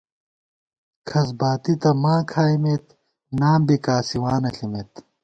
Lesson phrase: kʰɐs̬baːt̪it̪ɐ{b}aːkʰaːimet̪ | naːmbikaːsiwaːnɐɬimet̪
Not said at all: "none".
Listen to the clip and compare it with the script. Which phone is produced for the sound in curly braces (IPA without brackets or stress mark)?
m